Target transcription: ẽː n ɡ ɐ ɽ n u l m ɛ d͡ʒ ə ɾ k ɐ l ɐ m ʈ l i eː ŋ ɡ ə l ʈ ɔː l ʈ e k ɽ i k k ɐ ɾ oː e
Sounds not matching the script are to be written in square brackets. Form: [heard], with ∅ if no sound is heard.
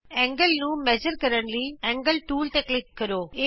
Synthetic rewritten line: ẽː [ŋ] ɡ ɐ [l] n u [∅] m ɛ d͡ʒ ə ɾ k ɐ [ɾ] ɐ [ɳ] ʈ l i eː ŋ ɡ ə l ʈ [uː] l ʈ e k [l] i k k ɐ ɾ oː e